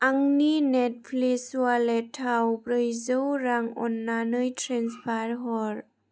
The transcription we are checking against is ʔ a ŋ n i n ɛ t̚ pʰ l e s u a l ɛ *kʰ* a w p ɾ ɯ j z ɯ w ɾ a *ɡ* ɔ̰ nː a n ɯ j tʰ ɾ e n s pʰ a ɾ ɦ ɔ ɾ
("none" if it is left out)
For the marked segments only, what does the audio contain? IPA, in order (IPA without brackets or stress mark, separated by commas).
tʰ, ŋ